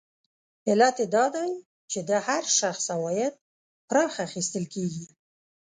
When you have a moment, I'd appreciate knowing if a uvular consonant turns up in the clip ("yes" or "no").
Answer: no